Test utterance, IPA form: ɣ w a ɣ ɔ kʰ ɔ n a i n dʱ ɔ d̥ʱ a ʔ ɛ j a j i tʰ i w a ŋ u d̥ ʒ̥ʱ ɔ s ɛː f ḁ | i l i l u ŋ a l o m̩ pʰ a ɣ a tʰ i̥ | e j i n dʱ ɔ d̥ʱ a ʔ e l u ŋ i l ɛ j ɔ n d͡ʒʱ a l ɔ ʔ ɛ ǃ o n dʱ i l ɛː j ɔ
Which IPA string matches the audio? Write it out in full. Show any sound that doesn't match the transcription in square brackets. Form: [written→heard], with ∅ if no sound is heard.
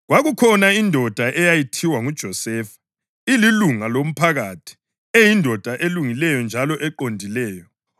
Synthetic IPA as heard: ɣ w a ɣ [ɔ→u] kʰ ɔ n a i n dʱ ɔ d̥ʱ a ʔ ɛ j a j i tʰ i w a ŋ u d̥ ʒ̥ʱ ɔ s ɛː f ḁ | i l i l u ŋ a l o m̩ pʰ a ɣ a tʰ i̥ | e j i n dʱ ɔ d̥ʱ a ʔ e l u ŋ i l ɛ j ɔ n d͡ʒʱ a l ɔ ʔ ɛ ǃ o n dʱ i l ɛː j ɔ